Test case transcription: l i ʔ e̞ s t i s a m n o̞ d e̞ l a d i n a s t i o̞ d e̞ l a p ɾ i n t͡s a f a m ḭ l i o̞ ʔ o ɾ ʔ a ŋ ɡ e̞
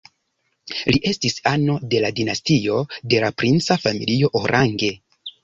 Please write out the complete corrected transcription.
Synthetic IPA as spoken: l i ʔ e̞ s t i s a n o̞ d e̞ l a d i n a s t i o̞ d e̞ l a p ɾ i n t͡s a f a m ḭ l i o̞ ʔ o ɾ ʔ a ŋ ɡ e̞